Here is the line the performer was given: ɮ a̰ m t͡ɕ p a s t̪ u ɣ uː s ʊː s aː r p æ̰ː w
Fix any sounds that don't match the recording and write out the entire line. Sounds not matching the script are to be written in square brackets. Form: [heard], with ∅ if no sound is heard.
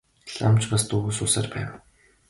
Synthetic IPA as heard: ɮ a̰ m t͡ɕ p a s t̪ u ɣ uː s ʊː s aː r p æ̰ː w